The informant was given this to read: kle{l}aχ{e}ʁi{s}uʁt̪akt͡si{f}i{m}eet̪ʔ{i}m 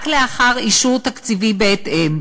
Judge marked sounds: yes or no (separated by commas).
no, no, no, no, no, no